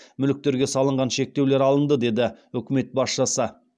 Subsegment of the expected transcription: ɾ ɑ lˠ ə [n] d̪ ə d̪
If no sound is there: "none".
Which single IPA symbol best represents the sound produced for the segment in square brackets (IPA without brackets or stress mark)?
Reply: n